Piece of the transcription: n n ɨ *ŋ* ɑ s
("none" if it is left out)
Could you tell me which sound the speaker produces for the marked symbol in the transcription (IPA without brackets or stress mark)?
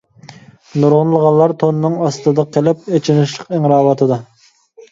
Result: ŋ